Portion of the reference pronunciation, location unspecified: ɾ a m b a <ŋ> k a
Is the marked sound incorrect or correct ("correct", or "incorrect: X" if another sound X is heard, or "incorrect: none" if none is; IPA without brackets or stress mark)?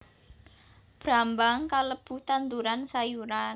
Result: correct